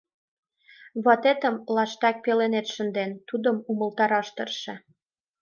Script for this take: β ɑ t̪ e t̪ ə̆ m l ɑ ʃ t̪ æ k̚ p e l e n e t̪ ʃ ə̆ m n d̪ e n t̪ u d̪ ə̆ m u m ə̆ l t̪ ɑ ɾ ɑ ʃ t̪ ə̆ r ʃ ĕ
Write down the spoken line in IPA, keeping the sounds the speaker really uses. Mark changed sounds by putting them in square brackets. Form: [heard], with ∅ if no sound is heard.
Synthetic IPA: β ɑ t̪ e t̪ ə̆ m l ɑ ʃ t̪ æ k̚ p e l e n e t̪ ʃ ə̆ [∅] n d̪ e n t̪ u d̪ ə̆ m u m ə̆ l t̪ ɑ ɾ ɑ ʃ t̪ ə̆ r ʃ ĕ